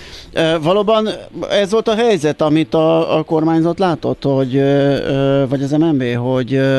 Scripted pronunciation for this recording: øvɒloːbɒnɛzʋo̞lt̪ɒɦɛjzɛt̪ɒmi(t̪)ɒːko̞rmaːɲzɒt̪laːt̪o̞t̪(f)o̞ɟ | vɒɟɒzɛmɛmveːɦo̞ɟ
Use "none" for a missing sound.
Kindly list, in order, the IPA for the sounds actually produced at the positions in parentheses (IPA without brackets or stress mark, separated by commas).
t̪, h